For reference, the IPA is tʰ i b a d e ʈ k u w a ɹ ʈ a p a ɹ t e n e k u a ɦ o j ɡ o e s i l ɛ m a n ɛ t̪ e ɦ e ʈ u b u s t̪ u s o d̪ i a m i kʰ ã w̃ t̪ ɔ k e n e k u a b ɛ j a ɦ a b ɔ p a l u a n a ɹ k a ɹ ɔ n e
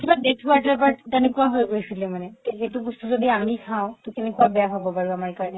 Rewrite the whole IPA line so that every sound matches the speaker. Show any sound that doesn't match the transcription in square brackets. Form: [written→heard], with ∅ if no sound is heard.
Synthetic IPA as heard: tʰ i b a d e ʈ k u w a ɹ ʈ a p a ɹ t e n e k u a ɦ o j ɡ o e s i l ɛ m a n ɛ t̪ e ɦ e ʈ u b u s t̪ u [s→z] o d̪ i a m i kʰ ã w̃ t̪ ɔ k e n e k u a b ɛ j a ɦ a b ɔ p a [l→ɹ] u a [n→m] a ɹ k a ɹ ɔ n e